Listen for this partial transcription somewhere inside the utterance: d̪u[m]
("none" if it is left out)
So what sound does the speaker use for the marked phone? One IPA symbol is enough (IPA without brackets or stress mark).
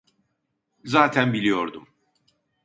m